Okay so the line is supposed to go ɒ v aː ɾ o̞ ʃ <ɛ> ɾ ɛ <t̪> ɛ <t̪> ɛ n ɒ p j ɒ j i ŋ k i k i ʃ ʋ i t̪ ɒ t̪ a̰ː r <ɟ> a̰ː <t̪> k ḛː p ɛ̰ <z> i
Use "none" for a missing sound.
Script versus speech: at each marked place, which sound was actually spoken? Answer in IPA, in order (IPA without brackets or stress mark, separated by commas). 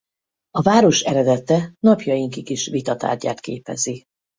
ɛ, d̪, t̪, ɟ, t̪, z